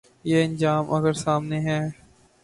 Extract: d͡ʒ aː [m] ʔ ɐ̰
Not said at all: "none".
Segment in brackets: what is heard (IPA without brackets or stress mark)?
m